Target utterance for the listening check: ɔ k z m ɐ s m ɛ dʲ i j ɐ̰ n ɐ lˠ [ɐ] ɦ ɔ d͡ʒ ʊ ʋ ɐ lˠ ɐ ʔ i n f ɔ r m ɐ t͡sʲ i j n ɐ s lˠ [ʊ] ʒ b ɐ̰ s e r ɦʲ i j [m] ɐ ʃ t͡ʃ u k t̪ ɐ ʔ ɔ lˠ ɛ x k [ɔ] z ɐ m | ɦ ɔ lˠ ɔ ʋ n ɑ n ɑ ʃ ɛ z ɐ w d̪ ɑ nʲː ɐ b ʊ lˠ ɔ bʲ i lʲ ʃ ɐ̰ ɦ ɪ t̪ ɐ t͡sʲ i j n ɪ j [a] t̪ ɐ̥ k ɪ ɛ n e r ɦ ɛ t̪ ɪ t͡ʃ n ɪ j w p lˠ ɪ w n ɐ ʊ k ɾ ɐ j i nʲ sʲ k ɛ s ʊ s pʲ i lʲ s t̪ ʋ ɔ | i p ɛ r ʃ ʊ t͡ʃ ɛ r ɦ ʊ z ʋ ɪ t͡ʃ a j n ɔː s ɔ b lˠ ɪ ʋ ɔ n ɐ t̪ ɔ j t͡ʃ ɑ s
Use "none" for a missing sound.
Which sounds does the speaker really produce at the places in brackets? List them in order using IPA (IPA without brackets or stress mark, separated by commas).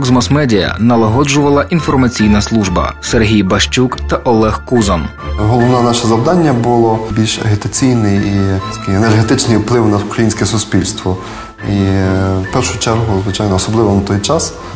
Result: ɐ, u, b, u, i